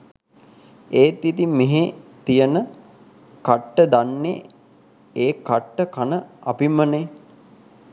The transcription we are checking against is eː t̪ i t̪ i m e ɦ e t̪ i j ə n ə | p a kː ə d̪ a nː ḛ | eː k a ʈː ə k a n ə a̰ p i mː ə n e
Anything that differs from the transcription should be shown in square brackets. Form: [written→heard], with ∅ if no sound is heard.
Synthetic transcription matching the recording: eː t̪ i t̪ i m e ɦ e t̪ i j ə n ə | [p→k] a [kː→ʈː] ə d̪ a nː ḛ | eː k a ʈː ə k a n ə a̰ p i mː ə n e